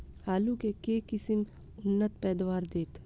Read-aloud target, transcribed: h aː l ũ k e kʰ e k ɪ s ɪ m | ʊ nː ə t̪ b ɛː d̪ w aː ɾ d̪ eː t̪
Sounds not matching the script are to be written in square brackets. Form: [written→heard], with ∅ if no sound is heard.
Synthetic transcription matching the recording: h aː l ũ k e [kʰ→k] e k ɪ s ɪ m | ʊ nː ə t̪ [b→p] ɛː d̪ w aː ɾ d̪ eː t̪